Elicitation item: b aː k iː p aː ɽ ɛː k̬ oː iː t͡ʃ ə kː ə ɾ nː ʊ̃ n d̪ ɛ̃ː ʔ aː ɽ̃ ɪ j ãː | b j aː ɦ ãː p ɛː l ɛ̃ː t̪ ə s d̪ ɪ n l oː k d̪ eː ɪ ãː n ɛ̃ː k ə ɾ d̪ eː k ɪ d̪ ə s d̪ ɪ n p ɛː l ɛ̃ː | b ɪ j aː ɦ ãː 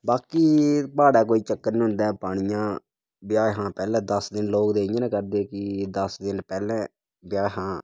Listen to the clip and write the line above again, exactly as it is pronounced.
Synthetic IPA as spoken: b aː k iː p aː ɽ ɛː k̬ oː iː t͡ʃ ə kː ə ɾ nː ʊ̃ n d̪ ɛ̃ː p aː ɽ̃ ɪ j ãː | b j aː ɦ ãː p ɛː l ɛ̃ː d̪ ə s d̪ ɪ n l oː k d̪ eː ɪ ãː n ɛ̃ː k ə ɾ d̪ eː k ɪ d̪ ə s d̪ ɪ n p ɛː l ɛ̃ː | b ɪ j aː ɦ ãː